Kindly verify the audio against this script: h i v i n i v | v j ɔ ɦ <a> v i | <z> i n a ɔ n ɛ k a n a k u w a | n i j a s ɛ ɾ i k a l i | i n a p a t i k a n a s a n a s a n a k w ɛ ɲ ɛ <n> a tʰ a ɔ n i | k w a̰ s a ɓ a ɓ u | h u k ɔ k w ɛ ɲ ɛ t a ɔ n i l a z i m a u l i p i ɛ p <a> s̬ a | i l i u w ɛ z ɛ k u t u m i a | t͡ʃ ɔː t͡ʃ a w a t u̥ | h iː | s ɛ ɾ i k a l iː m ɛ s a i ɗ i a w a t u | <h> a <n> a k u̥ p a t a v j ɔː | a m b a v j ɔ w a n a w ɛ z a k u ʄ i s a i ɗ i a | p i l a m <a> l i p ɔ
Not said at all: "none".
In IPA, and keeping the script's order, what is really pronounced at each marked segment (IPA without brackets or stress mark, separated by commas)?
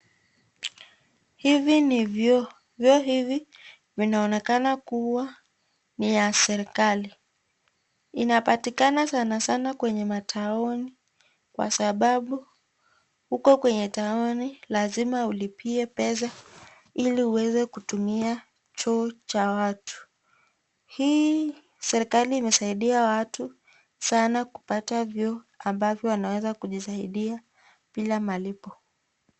i, v, m, ɛ, s, n, a